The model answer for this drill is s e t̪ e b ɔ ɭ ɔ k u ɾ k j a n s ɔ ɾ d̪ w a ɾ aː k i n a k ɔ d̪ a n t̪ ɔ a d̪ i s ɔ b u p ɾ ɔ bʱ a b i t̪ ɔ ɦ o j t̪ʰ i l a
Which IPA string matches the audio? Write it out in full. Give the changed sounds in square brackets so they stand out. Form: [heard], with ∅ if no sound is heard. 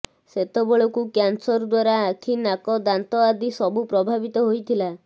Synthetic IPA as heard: s e t̪ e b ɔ ɭ ɔ k u [∅] k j a n s ɔ ɾ d̪ w a ɾ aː [kʰ] i n a k ɔ d̪ a n t̪ ɔ a d̪ i s ɔ b u p ɾ ɔ bʱ a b i t̪ ɔ ɦ o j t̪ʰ i l a